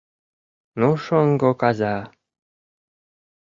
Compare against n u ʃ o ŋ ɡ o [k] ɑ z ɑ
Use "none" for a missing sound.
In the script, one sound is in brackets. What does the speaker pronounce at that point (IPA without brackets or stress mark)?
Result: k